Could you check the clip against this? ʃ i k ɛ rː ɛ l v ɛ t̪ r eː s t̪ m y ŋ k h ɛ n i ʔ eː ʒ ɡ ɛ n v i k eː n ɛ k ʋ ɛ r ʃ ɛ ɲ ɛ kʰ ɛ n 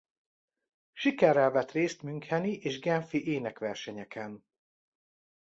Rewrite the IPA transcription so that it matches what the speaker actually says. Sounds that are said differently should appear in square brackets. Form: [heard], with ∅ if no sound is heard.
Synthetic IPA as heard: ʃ i k ɛ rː ɛ l v ɛ t̪ r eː s t̪ m y ŋ k h ɛ n i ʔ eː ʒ ɡ ɛ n [f] i [ʔ] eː n ɛ k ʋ ɛ r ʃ ɛ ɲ ɛ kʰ ɛ n